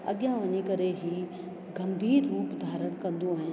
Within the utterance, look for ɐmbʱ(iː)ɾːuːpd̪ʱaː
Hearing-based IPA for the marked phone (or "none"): iː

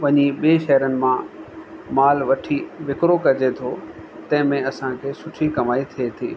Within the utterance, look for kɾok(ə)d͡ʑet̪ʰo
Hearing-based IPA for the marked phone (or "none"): ɐ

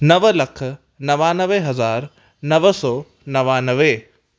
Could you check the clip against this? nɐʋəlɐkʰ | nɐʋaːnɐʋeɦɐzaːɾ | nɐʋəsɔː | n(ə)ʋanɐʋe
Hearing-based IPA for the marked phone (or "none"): ɐ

